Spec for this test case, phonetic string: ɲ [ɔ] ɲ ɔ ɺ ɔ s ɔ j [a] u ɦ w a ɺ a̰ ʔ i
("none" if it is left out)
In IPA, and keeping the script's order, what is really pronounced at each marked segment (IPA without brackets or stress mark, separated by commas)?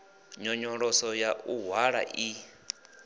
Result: ɔ, a